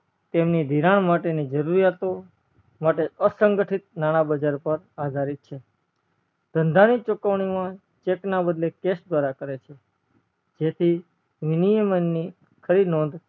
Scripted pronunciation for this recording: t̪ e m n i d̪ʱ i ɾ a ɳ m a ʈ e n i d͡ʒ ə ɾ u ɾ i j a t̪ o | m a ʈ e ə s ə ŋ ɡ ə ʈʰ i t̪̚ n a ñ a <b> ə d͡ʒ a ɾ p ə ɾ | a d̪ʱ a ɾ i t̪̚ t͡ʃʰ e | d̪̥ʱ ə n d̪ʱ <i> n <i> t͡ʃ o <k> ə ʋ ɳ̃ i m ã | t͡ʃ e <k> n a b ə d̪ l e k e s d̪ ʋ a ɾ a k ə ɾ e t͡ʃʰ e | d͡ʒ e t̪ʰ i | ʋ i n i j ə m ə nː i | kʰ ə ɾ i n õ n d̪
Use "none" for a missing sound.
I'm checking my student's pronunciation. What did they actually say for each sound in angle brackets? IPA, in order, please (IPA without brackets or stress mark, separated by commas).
b, a, i, k, k